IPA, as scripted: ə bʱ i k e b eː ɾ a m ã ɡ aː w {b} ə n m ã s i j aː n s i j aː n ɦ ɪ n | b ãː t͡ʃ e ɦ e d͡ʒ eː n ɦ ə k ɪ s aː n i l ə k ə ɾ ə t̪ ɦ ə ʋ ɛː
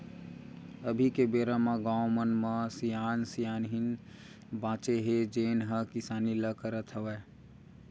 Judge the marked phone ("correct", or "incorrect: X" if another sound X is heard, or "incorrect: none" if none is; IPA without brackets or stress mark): incorrect: m